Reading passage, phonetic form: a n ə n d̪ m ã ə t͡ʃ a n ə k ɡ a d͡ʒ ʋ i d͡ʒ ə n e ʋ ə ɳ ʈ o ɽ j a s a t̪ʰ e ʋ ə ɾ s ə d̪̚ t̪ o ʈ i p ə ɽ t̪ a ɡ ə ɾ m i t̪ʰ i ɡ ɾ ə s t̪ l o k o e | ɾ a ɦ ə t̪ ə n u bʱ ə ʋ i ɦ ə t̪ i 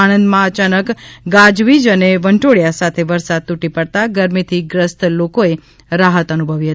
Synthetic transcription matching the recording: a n ə n d̪ m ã ə t͡ʃ a n ə k ɡ a d͡ʒ ʋ i d͡ʒ ə n e ʋ ə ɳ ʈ o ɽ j a s a t̪ʰ e ʋ ə ɾ s a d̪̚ t̪ u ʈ i p ə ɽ t̪ a ɡ ə ɾ m i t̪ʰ i ɡ ɾ ə s t̪ l o k o e | ɾ a ɦ ə t̪ ə n u bʱ ə ʋ i ɦ ə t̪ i